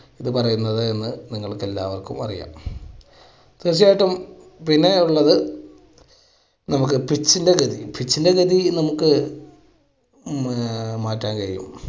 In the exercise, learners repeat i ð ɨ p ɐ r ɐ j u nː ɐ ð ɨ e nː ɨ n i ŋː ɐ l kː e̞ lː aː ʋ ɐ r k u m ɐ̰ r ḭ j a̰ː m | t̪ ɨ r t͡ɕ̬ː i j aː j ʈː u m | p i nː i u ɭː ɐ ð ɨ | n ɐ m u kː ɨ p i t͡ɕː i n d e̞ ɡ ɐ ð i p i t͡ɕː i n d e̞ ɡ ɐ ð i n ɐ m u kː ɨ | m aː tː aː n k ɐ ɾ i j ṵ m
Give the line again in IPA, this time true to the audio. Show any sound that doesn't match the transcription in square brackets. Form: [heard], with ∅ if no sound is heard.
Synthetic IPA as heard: i ð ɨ p ɐ r ɐ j u nː ɐ ð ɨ e nː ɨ n i ŋː ɐ [ɭ] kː e̞ lː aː ʋ ɐ r k u m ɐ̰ r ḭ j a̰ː m | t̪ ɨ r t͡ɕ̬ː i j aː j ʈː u m | p i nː [e] u ɭː ɐ ð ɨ | n ɐ m u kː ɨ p i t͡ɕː i n d e̞ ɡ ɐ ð i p i t͡ɕː i n d e̞ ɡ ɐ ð i n ɐ m u kː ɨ | m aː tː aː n k ɐ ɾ i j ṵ m